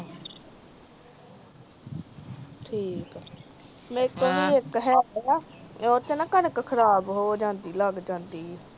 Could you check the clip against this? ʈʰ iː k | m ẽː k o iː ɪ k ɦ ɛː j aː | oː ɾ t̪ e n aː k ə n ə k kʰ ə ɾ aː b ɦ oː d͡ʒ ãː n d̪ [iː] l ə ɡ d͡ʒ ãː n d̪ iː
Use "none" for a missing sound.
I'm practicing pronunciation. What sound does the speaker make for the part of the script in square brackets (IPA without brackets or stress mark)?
iː